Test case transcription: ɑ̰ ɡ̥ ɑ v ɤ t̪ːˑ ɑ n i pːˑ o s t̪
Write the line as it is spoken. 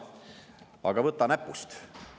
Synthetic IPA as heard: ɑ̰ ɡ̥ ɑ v ɤ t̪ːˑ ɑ n æ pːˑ u s t̪